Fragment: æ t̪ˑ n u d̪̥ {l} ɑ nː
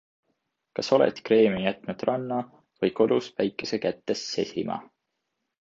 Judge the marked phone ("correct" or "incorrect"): incorrect